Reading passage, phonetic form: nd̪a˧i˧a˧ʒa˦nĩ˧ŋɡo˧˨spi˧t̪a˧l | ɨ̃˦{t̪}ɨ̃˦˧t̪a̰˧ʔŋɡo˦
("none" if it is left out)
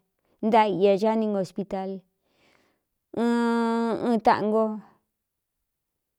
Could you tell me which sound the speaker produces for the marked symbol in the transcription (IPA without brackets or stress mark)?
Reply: none